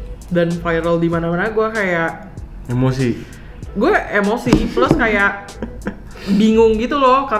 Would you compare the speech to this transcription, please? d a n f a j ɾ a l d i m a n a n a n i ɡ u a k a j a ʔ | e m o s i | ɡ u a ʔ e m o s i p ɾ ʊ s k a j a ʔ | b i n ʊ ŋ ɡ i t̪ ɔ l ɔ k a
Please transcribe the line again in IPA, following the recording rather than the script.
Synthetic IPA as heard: d a n f a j ɾ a l d i m a n a m a n a ɡ u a k a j a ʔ | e m o s i | ɡ u a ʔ e m o s i p l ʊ s k a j a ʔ | b i ŋ ʊ ŋ ɡ i t̪ u l ɔ k a